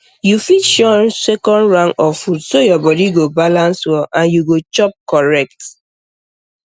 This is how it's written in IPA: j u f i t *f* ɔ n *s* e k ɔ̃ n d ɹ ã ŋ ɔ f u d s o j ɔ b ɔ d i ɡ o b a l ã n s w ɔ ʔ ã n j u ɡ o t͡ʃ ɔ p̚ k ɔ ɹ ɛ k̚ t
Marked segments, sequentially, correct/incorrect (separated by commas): incorrect, correct